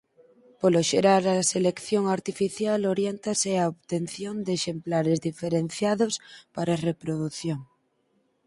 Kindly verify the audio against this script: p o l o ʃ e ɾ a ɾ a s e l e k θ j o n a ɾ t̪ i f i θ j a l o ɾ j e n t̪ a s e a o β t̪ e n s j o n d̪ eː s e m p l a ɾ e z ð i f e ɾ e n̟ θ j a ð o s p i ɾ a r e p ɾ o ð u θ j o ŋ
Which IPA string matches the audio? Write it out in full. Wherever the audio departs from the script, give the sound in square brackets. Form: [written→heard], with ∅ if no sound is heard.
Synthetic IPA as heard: p o l o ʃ e ɾ a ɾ a s e l e k θ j o [n→ŋ] a ɾ t̪ i f i θ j a l o ɾ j e n t̪ a s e a o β t̪ e n [s→θ] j o n d̪ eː [s→ʃ] e m p l a ɾ e z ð i f e ɾ e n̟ θ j a ð o s p [i→a] ɾ a r e p ɾ o ð u θ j o ŋ